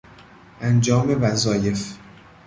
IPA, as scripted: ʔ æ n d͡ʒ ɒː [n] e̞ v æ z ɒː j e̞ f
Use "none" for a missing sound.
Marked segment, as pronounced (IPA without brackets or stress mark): m